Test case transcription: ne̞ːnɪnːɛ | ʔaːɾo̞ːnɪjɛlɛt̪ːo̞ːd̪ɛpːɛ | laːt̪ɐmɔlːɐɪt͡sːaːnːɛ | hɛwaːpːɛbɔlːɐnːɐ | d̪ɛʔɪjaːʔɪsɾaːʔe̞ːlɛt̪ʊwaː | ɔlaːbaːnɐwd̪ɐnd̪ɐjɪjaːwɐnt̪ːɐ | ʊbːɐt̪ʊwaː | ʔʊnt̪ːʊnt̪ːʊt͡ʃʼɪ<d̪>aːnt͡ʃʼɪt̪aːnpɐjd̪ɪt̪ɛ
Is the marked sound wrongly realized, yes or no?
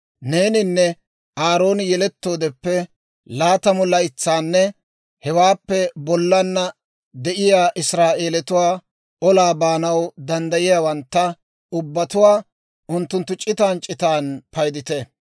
yes